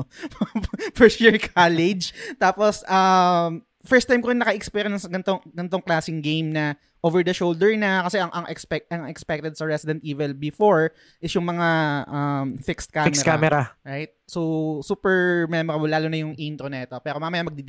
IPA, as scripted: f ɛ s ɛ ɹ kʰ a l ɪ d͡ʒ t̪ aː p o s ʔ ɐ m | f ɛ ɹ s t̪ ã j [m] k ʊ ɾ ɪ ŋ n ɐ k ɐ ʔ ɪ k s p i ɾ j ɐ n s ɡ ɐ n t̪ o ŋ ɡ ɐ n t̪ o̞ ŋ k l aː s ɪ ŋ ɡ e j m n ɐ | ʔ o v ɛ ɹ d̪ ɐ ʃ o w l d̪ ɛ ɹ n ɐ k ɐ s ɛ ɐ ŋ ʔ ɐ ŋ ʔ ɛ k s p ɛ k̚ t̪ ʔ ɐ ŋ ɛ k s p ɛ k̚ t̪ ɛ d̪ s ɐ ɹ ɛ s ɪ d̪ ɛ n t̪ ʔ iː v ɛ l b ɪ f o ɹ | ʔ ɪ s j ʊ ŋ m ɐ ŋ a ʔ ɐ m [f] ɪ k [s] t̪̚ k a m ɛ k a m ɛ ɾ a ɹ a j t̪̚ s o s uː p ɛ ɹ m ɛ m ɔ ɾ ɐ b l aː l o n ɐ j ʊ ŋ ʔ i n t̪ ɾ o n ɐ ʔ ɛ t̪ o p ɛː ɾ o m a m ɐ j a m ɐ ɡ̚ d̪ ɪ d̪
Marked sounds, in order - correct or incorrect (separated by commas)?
correct, correct, correct